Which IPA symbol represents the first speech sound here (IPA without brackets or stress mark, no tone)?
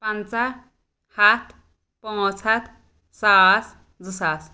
p